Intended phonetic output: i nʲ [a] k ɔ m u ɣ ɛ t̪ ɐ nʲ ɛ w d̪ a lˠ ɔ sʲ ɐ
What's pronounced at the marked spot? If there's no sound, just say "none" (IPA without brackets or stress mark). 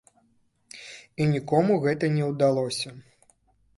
i